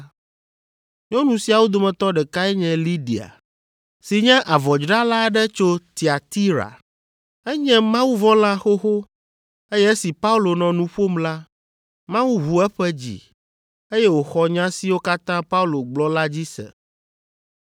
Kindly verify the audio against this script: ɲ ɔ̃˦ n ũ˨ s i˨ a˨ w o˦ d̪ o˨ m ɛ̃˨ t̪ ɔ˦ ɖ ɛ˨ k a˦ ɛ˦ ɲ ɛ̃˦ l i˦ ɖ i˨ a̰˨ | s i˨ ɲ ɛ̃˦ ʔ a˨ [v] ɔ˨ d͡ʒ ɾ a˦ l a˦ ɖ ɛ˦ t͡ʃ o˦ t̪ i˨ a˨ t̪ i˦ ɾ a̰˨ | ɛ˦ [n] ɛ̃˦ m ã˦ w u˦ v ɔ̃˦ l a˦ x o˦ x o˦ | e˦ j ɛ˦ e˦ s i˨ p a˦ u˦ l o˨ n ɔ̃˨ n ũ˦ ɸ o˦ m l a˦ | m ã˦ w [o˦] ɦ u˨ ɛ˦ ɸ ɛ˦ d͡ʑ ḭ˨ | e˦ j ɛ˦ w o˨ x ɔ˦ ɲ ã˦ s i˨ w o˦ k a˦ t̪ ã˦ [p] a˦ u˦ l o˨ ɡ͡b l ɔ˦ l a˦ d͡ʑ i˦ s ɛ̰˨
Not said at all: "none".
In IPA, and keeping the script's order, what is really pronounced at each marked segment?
v, ɲ, u˦, p

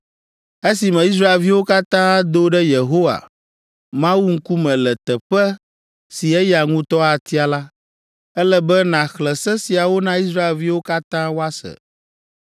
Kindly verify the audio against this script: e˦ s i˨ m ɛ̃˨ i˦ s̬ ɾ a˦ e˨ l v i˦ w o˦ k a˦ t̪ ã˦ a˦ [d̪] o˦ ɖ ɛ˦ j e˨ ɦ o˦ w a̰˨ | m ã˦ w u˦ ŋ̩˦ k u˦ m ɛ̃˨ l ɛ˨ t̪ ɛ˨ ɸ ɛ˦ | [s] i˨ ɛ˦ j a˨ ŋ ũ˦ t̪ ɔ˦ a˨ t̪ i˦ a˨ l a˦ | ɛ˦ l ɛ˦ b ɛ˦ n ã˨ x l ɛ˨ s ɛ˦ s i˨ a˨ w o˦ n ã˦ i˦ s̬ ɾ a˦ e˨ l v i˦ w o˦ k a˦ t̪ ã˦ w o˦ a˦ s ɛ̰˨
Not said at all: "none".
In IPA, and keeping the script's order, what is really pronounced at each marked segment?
d̪, s

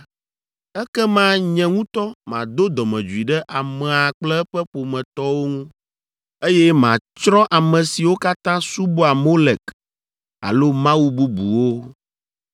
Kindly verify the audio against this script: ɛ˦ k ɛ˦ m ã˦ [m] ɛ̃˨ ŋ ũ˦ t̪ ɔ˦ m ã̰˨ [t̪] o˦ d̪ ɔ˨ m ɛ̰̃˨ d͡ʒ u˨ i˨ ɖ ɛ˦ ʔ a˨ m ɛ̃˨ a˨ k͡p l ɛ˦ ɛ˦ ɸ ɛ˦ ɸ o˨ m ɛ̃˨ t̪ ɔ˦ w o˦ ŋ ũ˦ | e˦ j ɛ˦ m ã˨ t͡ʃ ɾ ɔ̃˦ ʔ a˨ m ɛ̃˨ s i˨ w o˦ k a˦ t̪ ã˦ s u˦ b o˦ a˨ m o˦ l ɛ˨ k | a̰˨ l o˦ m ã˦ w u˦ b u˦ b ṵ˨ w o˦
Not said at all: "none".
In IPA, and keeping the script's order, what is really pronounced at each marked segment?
ɲ, d̪

